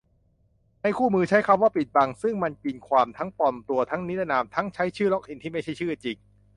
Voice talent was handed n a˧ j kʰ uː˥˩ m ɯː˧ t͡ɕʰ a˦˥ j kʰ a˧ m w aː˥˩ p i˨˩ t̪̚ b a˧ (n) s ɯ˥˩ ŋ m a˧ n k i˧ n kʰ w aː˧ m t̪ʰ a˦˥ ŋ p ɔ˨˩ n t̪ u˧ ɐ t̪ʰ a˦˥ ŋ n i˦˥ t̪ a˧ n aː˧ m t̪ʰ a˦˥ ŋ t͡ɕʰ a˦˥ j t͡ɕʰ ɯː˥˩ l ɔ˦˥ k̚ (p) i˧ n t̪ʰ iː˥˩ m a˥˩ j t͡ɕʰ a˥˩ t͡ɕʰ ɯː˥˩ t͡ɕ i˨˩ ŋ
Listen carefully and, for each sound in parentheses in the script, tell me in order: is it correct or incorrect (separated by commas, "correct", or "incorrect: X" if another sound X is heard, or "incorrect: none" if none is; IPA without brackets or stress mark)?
incorrect: ŋ, incorrect: ʔ